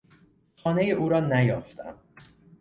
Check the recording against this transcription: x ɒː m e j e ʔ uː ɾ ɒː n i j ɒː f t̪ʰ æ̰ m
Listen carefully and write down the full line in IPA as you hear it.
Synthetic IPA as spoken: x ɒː n e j e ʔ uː ɾ ɒː n æ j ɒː f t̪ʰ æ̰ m